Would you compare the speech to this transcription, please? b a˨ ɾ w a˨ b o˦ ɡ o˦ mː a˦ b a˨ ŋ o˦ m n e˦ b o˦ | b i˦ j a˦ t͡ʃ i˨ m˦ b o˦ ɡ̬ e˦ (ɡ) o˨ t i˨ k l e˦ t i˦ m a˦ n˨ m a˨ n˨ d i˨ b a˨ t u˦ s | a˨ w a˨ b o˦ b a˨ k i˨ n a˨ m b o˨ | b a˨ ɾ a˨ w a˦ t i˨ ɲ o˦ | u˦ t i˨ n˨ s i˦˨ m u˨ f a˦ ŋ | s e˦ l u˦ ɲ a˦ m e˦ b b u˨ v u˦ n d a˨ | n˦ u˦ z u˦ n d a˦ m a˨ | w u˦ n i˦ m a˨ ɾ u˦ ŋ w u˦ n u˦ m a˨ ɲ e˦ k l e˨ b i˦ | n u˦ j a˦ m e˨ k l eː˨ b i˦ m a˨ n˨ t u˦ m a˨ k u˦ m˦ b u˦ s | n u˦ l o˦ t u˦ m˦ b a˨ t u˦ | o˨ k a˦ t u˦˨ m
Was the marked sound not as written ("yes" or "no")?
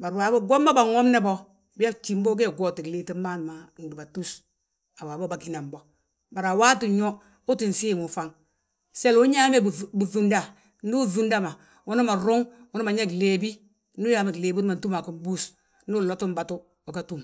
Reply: no